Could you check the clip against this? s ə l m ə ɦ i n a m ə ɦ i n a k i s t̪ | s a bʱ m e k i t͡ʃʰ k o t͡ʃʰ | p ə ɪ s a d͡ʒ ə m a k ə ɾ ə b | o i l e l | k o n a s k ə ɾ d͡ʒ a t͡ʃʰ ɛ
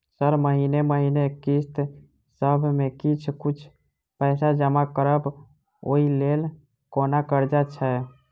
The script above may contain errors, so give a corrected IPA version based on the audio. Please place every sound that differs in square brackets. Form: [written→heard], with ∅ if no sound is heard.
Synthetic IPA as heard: s ə [l→ɾ] m ə ɦ i n [a→e] m ə ɦ i n [a→e] k i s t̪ | s [a→ə] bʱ m e k i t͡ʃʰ k [o→u] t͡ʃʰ | p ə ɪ s a d͡ʒ ə m a k ə ɾ ə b | o i l e l | k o n a [s→∅] k ə ɾ d͡ʒ a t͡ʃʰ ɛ